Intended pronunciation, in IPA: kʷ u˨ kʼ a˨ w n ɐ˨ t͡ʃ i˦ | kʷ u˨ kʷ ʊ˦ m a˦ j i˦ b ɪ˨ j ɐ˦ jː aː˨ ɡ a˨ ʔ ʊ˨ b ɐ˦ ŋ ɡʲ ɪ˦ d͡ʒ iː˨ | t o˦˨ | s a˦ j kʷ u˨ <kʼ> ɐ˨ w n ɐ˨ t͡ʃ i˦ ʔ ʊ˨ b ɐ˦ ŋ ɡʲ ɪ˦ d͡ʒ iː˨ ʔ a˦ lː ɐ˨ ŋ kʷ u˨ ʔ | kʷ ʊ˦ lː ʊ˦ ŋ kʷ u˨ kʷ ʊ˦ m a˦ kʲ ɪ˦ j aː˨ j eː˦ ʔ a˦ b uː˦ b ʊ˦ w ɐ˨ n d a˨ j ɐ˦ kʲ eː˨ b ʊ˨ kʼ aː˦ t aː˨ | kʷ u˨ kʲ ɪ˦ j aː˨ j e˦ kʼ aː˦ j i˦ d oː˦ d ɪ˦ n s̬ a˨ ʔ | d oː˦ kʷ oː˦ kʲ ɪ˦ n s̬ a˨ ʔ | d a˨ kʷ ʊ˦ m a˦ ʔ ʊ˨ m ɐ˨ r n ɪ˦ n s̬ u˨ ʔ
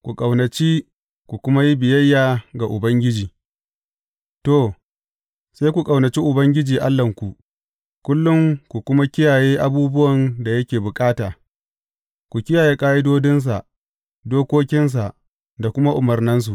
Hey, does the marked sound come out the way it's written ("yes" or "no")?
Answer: yes